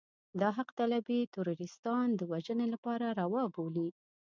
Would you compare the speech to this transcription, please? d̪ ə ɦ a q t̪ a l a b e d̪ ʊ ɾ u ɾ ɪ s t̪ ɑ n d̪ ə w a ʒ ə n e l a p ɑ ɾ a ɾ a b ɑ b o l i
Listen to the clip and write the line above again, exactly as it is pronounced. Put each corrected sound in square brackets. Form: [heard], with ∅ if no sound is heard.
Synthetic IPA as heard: d̪ [ɑ] ɦ a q t̪ a l a b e [t̪] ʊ ɾ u ɾ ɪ s t̪ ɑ n d̪ ə w a ʒ ə n e l a p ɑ ɾ a ɾ a [w] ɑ b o l i